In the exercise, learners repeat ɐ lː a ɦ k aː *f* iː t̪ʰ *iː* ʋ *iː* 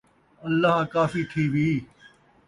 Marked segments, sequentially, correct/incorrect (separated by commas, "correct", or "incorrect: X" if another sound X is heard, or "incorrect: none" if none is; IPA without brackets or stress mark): correct, correct, correct